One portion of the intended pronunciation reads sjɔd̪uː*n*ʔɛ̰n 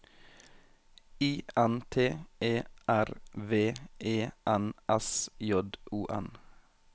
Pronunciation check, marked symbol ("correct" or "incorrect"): incorrect